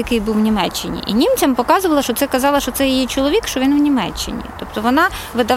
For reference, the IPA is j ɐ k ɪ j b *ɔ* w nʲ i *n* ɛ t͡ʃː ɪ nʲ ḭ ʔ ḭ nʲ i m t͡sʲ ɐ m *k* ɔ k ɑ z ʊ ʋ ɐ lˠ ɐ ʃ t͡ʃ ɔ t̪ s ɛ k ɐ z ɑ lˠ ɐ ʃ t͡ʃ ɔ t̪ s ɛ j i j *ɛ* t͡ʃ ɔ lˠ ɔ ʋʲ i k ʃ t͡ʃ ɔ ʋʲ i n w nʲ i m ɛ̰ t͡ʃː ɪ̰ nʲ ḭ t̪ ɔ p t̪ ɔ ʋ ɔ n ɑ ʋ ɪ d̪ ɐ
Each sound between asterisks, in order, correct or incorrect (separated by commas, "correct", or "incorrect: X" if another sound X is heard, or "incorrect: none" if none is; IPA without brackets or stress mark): incorrect: u, incorrect: m, incorrect: p, incorrect: i